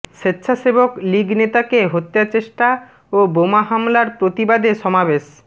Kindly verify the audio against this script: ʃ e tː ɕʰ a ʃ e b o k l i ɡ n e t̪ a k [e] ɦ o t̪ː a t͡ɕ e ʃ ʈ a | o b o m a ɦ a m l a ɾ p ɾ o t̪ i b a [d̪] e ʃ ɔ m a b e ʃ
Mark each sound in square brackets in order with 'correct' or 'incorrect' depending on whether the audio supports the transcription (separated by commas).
correct, correct